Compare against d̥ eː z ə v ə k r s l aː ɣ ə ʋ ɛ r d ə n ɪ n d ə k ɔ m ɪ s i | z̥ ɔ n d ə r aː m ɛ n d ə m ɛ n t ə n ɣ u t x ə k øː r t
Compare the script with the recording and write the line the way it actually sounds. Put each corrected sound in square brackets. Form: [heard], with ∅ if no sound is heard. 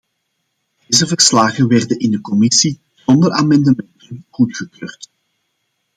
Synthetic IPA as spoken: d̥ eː z ə v ə [∅] r s l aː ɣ ə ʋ ɛ r d ə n ɪ n d ə k ɔ m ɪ s i | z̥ ɔ n d ə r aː m ɛ n d ə m ɛ n t ə n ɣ u t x ə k øː r t